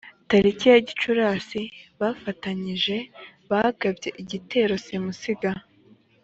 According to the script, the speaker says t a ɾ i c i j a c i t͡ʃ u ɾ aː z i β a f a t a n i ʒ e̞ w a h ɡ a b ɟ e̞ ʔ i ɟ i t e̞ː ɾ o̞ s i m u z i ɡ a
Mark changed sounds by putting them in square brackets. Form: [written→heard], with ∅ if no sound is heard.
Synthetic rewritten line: t a ɾ i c i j a [c→ɟ] i t͡ʃ u ɾ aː [z→s] i β a f a t a [n→ɲ] i ʒ e̞ [w→β] a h ɡ a b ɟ e̞ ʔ i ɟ i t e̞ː ɾ o̞ s i m u [z→s] i ɡ a